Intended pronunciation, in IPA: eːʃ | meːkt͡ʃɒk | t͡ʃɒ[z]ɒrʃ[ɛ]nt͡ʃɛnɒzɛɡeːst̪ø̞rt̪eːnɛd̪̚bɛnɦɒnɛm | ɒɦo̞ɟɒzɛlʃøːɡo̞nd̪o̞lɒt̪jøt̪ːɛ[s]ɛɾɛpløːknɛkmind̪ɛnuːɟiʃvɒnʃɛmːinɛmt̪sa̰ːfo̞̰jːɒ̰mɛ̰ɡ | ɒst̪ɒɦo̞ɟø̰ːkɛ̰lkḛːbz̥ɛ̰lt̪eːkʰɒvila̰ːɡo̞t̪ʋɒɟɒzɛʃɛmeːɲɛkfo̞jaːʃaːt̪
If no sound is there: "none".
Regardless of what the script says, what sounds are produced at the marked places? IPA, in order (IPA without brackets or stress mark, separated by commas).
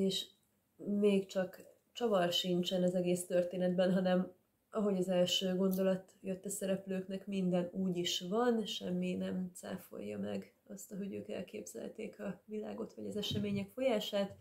v, i, s